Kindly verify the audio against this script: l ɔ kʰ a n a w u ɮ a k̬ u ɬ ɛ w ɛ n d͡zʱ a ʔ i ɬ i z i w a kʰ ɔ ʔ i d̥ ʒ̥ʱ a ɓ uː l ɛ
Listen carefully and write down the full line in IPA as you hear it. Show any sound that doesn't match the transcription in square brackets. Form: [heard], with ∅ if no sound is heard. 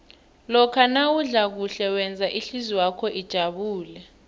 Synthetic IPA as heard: l ɔ kʰ a n a w u ɮ a k̬ u ɬ ɛ w ɛ n d͡zʱ a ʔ i ɬ i z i w a kʰ ɔ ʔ i d̥ ʒ̥ʱ a ɓ uː l ɛ